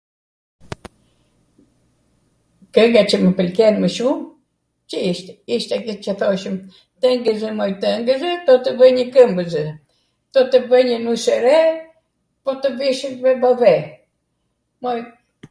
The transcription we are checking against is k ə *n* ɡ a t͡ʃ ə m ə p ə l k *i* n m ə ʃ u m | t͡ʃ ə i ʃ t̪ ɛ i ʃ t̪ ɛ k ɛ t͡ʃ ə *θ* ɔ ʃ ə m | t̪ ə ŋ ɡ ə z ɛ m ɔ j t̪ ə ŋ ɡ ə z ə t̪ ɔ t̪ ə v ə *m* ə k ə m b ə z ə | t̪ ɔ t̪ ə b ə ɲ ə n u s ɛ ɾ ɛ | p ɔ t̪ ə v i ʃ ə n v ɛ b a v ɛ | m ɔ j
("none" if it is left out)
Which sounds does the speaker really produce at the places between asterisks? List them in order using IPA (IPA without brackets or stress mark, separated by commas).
ŋ, ɛ, θ, ɲ